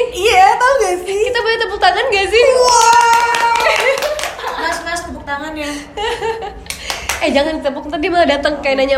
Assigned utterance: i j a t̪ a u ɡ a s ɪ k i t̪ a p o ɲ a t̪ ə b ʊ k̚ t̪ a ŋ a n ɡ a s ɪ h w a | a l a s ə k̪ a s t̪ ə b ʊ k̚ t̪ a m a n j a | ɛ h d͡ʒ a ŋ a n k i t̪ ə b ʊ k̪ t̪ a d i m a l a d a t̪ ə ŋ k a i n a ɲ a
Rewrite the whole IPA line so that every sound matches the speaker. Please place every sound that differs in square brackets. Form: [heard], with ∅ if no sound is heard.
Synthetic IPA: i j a t̪ a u ɡ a s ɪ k i t̪ a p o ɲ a t̪ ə b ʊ k̚ t̪ a ŋ a n ɡ a s ɪ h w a | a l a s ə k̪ a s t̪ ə b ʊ k̚ t̪ a [ŋ] a n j a | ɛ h d͡ʒ a ŋ a n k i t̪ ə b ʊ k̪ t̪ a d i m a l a d a t̪ ə ŋ k a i n a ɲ a